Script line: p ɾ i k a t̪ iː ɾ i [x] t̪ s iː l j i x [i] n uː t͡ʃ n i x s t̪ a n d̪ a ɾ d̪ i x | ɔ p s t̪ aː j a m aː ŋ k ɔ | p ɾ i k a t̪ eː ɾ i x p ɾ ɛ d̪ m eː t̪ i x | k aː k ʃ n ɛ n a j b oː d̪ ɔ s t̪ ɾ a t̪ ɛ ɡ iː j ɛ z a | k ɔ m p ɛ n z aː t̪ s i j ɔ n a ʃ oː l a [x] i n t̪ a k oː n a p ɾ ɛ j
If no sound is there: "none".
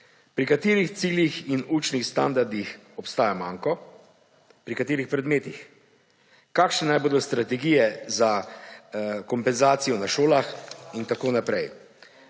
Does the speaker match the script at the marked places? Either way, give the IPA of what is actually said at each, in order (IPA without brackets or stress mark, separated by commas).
x, i, x